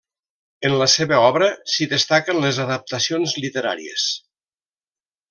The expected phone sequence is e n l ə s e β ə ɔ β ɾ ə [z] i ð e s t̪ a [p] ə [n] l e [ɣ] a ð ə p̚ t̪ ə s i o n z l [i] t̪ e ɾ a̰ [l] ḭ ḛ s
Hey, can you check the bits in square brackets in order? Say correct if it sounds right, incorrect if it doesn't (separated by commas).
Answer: incorrect, incorrect, correct, incorrect, correct, incorrect